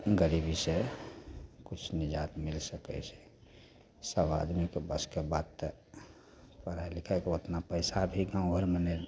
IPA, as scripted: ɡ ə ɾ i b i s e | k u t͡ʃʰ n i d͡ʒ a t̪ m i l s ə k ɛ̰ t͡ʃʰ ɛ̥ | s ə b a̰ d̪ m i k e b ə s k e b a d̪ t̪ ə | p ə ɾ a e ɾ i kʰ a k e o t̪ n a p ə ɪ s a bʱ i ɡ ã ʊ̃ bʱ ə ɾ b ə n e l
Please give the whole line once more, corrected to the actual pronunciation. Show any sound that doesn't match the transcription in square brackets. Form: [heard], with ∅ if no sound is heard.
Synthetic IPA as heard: ɡ ə ɾ i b i s e | k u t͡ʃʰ n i d͡ʒ a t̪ m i l s ə k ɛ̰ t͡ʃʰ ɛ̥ | s ə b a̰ d̪ m i k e b ə s k e b a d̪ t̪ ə | p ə ɾ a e [l] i kʰ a k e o t̪ n a p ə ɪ s a bʱ i ɡ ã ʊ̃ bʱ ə ɾ [m] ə n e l